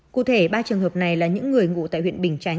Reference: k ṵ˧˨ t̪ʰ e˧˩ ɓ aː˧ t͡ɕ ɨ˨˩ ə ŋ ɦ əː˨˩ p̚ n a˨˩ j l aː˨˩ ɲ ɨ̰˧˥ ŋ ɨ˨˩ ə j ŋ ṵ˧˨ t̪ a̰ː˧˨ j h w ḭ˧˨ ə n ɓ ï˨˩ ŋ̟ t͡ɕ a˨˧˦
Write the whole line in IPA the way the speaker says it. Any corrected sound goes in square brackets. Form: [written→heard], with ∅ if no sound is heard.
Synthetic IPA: k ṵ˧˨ t̪ʰ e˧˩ ɓ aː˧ t͡ɕ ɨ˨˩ ə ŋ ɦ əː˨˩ p̚ n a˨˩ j l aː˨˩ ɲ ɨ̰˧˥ [ŋ→ŋː] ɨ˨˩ ə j ŋ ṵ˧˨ t̪ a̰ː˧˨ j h w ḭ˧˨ ə n ɓ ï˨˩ ŋ̟ t͡ɕ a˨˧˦